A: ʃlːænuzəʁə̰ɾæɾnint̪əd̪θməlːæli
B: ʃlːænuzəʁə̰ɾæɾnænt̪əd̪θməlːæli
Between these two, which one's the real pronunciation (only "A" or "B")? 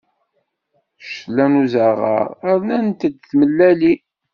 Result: B